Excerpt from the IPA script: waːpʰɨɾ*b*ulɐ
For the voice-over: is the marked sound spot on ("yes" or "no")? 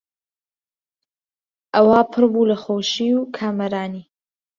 yes